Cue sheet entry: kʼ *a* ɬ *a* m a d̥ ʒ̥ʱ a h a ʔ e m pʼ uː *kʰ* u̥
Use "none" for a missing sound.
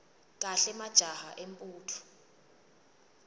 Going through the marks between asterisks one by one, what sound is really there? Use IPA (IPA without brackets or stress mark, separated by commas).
a, ɛ, tʰ